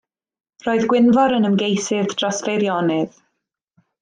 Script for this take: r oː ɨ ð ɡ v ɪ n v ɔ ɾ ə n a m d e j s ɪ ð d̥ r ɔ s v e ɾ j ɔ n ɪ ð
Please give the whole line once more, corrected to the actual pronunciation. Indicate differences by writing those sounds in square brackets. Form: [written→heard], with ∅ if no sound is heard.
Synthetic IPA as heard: r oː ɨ ð ɡ [v→w] ɪ n v ɔ ɾ ə n [a→ə] m [d→ɡ] e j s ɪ ð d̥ r ɔ s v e ɾ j ɔ n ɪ ð